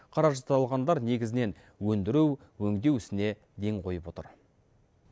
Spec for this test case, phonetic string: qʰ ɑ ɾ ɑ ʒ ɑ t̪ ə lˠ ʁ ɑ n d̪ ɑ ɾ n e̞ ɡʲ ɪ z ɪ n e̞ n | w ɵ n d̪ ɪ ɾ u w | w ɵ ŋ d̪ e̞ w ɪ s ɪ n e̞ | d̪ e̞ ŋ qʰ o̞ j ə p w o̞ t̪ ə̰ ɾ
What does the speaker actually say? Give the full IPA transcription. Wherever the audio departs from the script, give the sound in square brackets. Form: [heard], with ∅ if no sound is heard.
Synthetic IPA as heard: qʰ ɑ ɾ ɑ ʒ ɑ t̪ [ɑ] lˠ ʁ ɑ n d̪ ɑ ɾ n e̞ ɡʲ ɪ z ɪ n e̞ n | w ɵ n d̪ ɪ ɾ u w | w ɵ ŋ d̪ e̞ w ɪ s ɪ n e̞ | d̪ e̞ ŋ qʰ o̞ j ə p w o̞ t̪ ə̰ ɾ